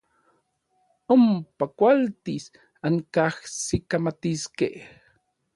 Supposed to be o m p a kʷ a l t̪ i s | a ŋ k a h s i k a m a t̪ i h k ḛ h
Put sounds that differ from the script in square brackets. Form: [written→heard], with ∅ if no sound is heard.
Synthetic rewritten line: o m p a kʷ a l t̪ i s | a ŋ k a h s i k a m a t̪ i [h→s] k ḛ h